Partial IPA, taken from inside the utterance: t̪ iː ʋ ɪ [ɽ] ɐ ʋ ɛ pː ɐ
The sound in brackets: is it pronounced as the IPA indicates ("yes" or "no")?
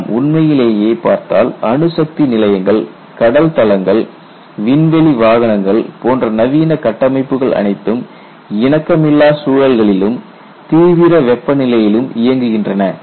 no